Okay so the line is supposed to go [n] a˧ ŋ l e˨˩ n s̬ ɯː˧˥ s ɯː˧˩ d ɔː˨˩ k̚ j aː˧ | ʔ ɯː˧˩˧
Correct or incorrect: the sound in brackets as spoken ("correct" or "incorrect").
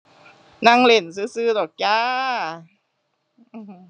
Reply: correct